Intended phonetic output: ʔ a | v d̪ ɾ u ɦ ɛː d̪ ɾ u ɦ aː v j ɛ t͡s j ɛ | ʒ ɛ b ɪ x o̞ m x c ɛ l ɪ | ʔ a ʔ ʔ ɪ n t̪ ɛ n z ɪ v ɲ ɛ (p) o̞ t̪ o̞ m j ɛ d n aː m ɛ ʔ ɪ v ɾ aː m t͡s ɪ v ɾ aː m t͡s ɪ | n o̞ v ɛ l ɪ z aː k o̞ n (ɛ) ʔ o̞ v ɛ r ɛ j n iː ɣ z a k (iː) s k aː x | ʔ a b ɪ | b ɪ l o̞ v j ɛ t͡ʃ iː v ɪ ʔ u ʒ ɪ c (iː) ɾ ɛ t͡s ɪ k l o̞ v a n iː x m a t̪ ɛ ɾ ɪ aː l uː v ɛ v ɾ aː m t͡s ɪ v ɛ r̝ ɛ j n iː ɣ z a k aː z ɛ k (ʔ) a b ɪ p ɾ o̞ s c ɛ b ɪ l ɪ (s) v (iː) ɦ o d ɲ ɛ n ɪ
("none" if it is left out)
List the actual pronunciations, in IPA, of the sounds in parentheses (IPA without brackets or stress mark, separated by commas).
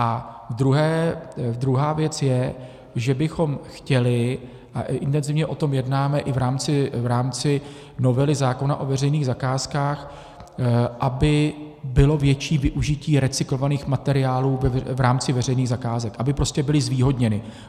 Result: ʔ, a, aː, iː, ʔ, z, iː